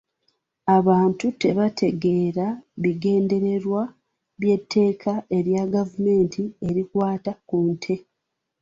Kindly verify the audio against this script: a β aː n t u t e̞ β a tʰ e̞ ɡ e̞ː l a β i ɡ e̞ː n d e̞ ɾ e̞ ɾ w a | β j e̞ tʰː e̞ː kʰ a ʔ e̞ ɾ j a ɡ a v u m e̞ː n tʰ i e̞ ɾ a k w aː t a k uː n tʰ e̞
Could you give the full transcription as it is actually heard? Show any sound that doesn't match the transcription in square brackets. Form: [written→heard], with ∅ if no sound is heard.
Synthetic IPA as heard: a β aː n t u t e̞ β a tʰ e̞ ɡ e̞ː [l→ɾ] a β i ɡ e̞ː n d e̞ ɾ e̞ ɾ w a | β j e̞ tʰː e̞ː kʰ a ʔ e̞ ɾ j a ɡ a v u m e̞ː n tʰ i e̞ ɾ [a→i] k w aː t a k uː n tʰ e̞